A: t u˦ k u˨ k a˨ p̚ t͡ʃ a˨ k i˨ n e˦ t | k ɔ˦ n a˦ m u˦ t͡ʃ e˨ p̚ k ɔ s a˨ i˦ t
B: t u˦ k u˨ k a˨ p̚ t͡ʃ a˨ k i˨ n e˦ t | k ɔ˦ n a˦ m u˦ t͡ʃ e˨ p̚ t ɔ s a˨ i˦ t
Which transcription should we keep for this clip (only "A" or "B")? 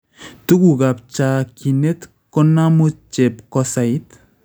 A